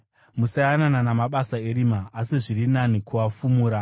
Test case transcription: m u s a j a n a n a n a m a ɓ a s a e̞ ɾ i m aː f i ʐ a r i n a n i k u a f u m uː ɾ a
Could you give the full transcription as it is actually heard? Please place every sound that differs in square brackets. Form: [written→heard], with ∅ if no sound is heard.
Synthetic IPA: m u s a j a n a n a n a m a ɓ a s a e̞ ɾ i m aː [f→s] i ʐ [a→i] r i n a n i k u a f u m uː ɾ a